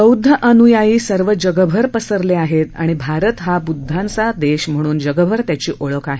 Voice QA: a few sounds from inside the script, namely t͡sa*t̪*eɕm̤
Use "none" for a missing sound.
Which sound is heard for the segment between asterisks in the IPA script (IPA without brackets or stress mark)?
d̪